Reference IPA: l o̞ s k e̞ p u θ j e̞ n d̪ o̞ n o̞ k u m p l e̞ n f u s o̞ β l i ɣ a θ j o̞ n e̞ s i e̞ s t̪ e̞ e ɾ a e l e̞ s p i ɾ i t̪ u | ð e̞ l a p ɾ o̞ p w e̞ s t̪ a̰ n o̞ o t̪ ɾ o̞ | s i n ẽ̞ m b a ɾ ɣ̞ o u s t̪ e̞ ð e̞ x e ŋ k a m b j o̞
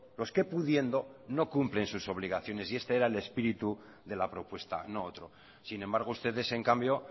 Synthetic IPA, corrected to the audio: l o̞ s k e̞ p u ð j e̞ n d̪ o̞ n o̞ k u m p l e̞ n s u s o̞ β l i ɣ a θ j o̞ n e̞ s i e̞ s t̪ e̞ e ɾ a e l e̞ s p i ɾ i t̪ u | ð e̞ l a p ɾ o̞ p w e̞ s t̪ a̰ n o̞ o t̪ ɾ o̞ | s i n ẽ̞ m b a ɾ ɣ̞ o u s t̪ e̞ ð e̞ s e ŋ k a m b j o̞